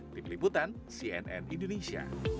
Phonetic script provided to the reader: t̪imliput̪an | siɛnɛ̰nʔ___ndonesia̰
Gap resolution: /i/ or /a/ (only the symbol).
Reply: i